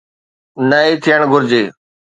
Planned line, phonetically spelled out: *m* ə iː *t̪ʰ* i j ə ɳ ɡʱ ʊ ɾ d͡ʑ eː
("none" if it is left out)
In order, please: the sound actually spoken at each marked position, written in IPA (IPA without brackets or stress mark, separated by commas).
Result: n, t̪ʰ